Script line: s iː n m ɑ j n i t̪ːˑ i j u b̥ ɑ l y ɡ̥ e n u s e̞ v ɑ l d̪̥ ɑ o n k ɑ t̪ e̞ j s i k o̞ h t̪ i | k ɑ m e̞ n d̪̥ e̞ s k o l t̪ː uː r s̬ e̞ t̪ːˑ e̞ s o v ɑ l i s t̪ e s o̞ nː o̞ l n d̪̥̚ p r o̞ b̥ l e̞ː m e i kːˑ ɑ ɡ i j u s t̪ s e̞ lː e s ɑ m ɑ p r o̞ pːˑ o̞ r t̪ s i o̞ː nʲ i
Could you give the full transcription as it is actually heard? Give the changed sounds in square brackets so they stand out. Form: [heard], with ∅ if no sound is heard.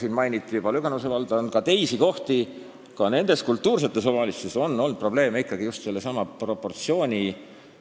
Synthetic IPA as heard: s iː n m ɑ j n i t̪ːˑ i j u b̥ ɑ l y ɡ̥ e n u s e̞ v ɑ l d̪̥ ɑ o n k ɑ t̪ e̞ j s i k o̞ h t̪ i | k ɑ [n] e̞ n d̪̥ e̞ s k [u] l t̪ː uː r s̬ e̞ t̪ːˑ e̞ s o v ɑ l i s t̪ e s o̞ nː o̞ l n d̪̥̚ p r o̞ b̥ l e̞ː m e i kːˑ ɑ ɡ i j u s t̪ s e̞ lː e s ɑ m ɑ p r o̞ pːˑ o̞ r t̪ s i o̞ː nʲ i